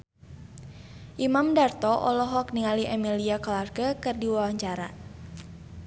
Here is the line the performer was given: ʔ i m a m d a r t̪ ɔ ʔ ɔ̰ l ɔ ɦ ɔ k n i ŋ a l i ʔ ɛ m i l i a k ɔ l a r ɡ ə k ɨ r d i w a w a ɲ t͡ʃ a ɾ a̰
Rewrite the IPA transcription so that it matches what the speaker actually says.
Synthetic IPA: ʔ i m a m d a r t̪ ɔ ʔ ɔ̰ l ɔ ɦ ɔ k n i ŋ a l i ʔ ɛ m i l i a k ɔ l a r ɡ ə k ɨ r d i w a w a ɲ t͡ʃ a ɾ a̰